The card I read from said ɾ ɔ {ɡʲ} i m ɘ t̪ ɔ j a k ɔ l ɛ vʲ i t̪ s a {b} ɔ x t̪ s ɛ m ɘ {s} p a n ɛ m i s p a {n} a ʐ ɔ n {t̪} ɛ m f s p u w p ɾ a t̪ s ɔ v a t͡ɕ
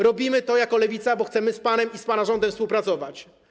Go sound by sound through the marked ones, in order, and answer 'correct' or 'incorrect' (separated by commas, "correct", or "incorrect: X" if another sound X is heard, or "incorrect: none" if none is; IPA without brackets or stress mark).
incorrect: bʲ, correct, correct, correct, incorrect: d̪